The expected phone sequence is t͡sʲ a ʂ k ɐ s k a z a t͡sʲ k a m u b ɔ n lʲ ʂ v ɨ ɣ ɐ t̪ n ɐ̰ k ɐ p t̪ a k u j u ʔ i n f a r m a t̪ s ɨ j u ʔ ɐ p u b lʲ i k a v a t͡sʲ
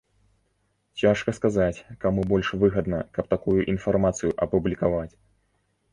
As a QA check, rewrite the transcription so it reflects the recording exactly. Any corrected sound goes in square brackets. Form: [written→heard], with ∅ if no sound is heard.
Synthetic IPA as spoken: t͡sʲ a ʂ k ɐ s k a z a t͡sʲ k a m u b ɔ [n→∅] lʲ ʂ v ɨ ɣ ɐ [t̪→d̪] n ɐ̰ k ɐ p t̪ a k u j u ʔ i n f a r m a t̪ s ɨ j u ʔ ɐ p u b lʲ i k a v a t͡sʲ